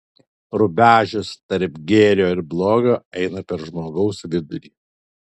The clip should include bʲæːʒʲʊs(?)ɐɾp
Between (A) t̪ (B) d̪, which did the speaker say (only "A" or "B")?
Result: A